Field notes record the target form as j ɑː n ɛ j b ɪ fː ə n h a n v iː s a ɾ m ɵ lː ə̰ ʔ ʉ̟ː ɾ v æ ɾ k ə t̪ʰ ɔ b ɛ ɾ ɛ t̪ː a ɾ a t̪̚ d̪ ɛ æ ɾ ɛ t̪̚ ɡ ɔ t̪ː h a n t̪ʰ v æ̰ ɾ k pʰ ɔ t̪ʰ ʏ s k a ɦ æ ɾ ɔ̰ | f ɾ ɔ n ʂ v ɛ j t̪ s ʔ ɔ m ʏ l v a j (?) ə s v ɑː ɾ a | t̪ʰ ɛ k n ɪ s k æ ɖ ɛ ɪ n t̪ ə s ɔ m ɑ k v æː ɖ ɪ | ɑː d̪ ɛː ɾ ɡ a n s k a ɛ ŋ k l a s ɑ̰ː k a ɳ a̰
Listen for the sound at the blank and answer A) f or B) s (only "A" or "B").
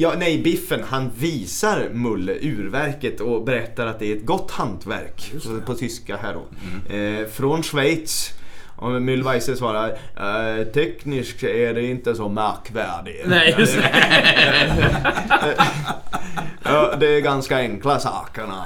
B